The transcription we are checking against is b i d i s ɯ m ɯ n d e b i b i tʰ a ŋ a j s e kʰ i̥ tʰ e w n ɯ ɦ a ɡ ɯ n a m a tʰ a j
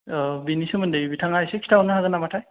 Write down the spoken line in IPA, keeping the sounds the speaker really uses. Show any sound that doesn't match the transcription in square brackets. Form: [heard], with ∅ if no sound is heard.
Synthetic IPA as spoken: b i [n] i s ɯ m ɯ n d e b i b i tʰ a ŋ a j s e kʰ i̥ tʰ [a] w n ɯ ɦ a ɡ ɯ n a m a tʰ a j